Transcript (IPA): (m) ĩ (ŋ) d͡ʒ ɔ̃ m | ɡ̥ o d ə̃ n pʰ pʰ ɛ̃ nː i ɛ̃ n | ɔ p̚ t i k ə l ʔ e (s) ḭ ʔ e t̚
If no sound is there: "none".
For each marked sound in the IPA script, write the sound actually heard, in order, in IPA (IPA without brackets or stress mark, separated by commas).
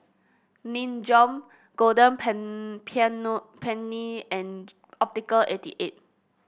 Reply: n, n, t